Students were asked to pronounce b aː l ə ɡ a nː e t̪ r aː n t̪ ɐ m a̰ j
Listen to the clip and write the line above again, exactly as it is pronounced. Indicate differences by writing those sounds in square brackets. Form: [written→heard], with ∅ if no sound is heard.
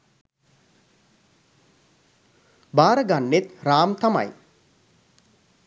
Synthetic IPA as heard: b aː [l→ɾ] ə ɡ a nː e t̪ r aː [n→m] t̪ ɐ m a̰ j